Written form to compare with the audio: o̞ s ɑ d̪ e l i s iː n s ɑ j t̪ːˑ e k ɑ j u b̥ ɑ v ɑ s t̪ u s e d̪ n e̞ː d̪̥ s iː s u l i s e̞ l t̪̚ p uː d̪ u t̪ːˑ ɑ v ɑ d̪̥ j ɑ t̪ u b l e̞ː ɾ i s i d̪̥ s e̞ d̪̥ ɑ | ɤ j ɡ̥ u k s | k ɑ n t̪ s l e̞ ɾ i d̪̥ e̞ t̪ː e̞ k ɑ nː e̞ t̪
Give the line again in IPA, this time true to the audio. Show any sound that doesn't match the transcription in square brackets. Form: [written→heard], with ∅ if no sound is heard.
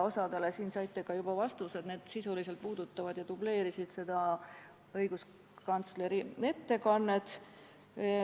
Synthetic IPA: o̞ s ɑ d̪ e l [i→e] s iː n s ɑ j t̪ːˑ e k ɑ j u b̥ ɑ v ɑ s t̪ u s e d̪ n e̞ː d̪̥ s [iː→i] s u l i s e̞ l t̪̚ p uː d̪ u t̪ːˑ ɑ v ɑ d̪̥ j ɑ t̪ u b l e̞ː ɾ i s i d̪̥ s e̞ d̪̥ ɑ | ɤ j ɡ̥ u [k→∅] s | k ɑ n t̪ s l e̞ ɾ i [d̪̥→∅] e̞ t̪ː e̞ k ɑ nː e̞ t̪